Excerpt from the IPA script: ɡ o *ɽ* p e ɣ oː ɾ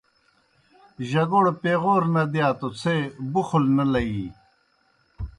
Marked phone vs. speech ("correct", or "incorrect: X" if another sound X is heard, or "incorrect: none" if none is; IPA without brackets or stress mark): correct